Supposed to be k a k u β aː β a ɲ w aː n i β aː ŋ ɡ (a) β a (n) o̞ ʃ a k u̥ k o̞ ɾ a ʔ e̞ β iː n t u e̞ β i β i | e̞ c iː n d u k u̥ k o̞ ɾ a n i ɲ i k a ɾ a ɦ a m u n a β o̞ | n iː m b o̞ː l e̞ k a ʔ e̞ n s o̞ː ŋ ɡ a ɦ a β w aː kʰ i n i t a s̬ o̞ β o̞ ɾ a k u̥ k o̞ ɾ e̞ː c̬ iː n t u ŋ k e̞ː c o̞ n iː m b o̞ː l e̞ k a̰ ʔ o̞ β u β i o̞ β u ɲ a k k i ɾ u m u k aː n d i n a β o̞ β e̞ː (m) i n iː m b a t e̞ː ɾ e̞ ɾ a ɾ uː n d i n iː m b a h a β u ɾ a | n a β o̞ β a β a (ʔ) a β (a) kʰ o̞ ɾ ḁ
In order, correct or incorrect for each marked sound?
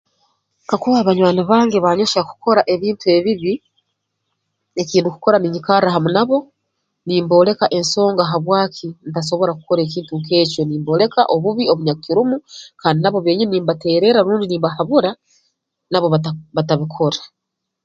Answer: incorrect: e, incorrect: ɲ, incorrect: ɲ, incorrect: t, incorrect: i

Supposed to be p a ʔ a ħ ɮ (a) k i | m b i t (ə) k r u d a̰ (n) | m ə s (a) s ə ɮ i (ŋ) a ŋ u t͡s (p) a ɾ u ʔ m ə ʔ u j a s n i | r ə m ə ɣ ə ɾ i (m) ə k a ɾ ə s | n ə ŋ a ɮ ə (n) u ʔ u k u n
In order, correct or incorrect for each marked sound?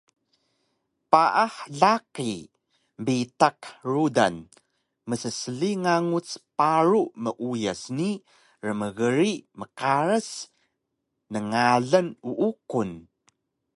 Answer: correct, incorrect: a, correct, incorrect: ə, correct, correct, correct, correct

